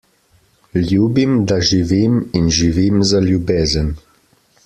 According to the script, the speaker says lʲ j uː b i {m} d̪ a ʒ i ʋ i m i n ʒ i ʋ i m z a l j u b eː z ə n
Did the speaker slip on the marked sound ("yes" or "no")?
no